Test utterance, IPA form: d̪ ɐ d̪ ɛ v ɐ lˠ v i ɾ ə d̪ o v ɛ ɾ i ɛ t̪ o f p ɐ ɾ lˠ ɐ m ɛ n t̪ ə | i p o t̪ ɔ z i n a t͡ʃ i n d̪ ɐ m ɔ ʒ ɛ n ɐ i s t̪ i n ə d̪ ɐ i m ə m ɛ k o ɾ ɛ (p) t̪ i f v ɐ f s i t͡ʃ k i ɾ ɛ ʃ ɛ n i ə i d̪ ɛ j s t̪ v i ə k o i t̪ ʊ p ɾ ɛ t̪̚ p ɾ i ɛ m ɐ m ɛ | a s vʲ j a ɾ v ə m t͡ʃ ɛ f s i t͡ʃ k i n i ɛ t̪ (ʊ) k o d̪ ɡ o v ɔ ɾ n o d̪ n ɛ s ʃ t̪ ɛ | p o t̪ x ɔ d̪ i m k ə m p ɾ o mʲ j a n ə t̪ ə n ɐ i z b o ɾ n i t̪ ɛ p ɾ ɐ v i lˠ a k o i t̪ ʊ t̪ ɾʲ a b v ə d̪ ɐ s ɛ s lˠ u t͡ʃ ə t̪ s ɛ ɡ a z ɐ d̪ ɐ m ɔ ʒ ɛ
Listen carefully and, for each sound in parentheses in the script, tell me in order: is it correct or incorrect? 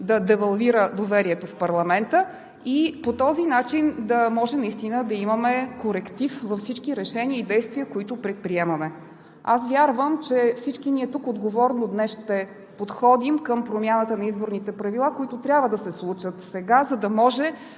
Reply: incorrect, incorrect

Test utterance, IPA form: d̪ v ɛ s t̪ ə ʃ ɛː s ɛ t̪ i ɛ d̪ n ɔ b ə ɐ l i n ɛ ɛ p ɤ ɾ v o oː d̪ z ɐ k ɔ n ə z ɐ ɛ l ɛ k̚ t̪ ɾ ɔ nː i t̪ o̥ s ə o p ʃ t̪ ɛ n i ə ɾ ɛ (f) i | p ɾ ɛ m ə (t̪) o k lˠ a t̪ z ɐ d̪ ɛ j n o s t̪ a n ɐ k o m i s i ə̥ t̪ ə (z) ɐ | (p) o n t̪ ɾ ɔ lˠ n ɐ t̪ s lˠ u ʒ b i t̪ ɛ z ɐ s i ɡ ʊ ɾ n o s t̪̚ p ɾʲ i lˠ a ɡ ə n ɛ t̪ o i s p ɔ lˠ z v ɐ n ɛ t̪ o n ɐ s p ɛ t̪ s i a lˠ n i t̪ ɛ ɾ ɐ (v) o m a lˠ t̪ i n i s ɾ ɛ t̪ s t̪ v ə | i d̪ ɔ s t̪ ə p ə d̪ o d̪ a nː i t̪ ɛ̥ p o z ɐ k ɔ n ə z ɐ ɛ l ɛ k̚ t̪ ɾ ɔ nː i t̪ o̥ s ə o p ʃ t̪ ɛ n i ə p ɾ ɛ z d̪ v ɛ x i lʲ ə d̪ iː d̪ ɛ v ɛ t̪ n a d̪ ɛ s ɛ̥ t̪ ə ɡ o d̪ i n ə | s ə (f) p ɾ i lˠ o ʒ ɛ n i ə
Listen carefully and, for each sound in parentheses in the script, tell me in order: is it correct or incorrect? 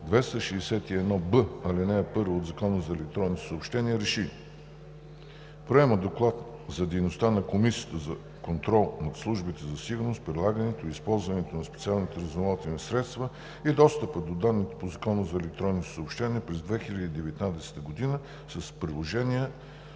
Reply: incorrect, incorrect, correct, incorrect, incorrect, incorrect

